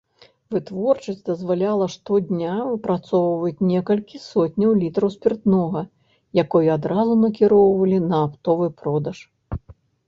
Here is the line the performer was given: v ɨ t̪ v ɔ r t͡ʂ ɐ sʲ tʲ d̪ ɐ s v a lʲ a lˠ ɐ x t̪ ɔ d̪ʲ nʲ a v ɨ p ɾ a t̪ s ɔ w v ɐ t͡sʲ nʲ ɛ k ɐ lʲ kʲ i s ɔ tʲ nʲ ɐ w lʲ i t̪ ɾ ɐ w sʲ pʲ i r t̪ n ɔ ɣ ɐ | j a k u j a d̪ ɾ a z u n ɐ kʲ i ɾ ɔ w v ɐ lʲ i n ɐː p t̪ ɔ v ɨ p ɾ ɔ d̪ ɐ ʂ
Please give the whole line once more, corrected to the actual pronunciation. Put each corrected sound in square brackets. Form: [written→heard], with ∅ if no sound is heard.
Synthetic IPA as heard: v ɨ t̪ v ɔ r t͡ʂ ɐ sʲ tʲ d̪ ɐ [s→z] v a lʲ a lˠ ɐ [x→ʂ] t̪ ɔ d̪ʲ nʲ a v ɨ p ɾ a t̪ s ɔ w v ɐ t͡sʲ nʲ ɛ k ɐ lʲ kʲ i s ɔ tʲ nʲ ɐ w lʲ i t̪ ɾ ɐ w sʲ pʲ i r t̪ n ɔ ɣ ɐ | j a k [u→ɔ] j a d̪ ɾ a z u n ɐ kʲ i ɾ ɔ w v ɐ lʲ i n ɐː p t̪ ɔ v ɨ p ɾ ɔ d̪ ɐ ʂ